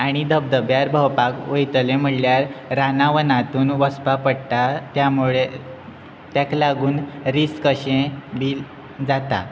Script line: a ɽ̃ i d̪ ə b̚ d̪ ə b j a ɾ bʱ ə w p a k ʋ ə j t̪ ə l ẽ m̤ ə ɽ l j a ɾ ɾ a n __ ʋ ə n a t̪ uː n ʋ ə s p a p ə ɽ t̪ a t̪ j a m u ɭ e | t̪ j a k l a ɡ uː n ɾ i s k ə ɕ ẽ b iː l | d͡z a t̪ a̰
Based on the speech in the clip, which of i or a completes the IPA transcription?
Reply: a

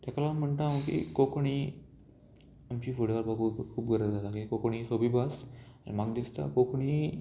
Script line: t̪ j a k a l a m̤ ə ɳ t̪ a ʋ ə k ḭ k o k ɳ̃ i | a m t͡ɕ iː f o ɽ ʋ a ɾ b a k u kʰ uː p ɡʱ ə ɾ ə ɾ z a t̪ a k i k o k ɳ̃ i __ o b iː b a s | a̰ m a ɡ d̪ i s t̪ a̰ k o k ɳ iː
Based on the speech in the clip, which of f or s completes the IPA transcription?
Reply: s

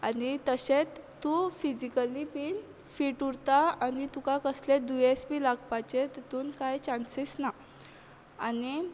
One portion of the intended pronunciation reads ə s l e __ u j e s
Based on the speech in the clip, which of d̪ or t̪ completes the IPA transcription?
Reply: d̪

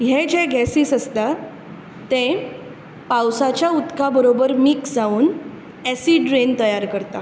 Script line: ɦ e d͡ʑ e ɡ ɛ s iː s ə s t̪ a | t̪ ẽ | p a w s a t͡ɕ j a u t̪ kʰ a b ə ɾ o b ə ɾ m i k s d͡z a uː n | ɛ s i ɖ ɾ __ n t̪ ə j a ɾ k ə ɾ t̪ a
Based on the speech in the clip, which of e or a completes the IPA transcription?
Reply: e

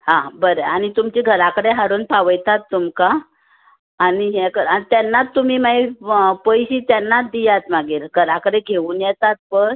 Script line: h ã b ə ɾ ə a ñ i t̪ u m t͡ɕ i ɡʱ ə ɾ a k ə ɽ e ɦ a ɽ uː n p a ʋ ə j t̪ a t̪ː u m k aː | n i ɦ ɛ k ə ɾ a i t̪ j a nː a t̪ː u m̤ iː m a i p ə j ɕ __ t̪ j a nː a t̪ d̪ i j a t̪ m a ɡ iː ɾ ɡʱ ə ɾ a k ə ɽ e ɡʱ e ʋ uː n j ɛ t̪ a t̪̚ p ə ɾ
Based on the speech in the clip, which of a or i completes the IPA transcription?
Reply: i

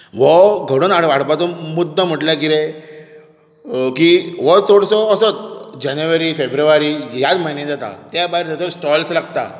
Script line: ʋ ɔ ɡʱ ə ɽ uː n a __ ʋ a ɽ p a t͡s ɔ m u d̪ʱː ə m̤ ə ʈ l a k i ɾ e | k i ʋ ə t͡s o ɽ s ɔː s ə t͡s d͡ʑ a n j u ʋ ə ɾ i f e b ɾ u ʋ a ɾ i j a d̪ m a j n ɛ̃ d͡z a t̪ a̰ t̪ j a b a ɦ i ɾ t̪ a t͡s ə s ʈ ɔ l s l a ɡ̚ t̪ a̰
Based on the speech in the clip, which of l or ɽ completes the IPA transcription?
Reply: ɽ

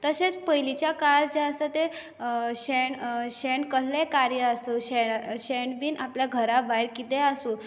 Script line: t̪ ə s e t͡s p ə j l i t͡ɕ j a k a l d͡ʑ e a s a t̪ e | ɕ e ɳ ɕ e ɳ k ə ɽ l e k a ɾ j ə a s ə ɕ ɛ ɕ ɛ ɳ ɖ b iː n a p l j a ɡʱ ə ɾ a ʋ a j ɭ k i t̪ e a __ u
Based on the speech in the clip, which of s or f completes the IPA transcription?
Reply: s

